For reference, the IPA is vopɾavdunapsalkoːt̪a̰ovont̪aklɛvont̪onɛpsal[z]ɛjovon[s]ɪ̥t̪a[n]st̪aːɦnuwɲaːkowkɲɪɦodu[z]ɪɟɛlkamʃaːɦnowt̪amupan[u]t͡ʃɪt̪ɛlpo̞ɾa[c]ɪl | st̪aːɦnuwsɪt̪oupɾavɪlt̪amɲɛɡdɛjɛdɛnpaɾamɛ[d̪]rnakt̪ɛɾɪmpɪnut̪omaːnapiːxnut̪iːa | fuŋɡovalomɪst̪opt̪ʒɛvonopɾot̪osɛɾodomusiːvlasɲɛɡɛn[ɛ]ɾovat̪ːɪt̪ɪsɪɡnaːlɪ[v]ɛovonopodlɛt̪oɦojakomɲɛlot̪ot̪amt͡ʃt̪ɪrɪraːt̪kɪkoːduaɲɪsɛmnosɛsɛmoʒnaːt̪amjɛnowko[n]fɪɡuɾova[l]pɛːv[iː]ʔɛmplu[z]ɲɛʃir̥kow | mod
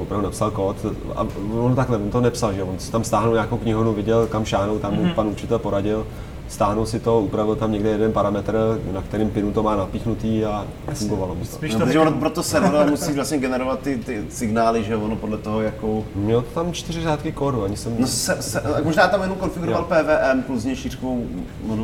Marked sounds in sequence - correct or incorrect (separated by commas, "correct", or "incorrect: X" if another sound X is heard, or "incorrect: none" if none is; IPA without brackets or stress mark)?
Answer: incorrect: ʒ, correct, incorrect: m, incorrect: v, correct, incorrect: ɟ, incorrect: t̪, correct, incorrect: ʒ, correct, correct, incorrect: ɛː, correct